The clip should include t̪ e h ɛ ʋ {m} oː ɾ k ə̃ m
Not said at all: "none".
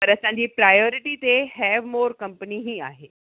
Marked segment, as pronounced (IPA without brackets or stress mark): m